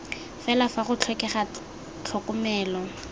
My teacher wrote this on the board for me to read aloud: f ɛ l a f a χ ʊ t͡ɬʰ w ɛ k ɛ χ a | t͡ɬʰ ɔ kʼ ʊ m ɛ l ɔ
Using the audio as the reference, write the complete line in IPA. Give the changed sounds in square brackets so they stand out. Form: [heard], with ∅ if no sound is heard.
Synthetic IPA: f ɛ l a f a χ ʊ t͡ɬʰ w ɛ k ɛ χ a | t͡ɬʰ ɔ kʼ ʊ m [ɛː] l ɔ